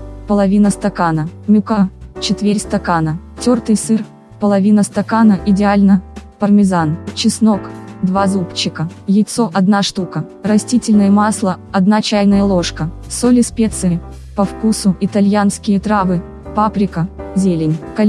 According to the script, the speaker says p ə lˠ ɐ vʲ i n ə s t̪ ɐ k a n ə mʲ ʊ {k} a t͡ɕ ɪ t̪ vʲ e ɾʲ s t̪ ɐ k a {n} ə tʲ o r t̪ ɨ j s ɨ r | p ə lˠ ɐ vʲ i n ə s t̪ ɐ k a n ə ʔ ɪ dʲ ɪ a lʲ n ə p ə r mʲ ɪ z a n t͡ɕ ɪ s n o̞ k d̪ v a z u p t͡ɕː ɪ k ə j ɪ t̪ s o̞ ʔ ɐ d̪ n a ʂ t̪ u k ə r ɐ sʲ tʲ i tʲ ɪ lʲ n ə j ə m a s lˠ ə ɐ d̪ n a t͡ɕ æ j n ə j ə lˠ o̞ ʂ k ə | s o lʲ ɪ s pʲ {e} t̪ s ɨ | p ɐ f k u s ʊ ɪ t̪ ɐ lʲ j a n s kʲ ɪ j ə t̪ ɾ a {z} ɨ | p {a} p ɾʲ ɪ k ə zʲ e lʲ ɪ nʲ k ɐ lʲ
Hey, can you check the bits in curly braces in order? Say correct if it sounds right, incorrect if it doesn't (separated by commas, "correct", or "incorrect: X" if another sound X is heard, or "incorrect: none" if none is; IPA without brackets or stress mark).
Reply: correct, correct, correct, incorrect: v, correct